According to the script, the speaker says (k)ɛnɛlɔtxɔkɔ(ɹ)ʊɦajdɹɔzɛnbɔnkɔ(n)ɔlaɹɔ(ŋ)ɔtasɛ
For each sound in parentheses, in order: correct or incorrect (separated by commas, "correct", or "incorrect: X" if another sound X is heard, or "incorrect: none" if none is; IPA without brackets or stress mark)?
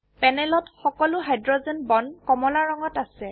incorrect: p, incorrect: l, incorrect: m, correct